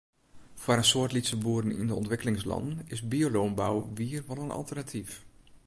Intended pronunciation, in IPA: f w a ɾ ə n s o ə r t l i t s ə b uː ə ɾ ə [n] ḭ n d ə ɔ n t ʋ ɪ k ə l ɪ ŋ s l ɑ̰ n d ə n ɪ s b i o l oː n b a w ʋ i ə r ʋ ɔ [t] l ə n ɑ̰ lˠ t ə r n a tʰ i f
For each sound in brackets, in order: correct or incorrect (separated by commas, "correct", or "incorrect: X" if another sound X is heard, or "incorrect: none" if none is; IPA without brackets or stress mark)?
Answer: correct, incorrect: none